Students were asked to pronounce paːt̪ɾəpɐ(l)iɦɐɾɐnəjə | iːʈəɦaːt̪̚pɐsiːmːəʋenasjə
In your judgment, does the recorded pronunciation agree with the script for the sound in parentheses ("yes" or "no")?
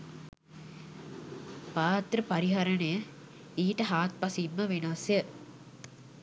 no